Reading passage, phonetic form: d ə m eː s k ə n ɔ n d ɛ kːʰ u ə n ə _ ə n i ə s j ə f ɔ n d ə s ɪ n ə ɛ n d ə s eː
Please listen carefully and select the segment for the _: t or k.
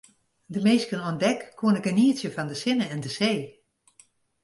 k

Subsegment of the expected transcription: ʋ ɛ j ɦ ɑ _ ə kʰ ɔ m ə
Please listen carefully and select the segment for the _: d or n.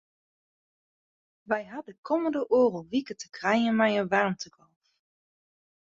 d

